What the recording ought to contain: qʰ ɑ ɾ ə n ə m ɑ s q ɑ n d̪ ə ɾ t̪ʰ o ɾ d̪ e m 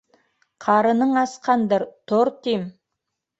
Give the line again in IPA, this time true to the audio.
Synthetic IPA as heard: qʰ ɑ ɾ ə n ə ɴ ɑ s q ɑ n d̪ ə ɾ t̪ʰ o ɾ t̪ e m